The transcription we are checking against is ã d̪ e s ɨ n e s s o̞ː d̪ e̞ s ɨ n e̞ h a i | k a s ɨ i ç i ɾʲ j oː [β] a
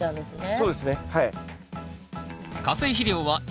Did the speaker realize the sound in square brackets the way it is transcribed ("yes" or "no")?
yes